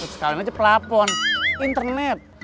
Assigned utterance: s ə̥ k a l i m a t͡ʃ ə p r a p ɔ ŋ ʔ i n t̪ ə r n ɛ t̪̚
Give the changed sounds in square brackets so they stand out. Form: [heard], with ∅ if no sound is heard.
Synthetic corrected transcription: s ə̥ k a l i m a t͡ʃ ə p [l] a p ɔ [n] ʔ i n t̪ ə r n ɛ t̪̚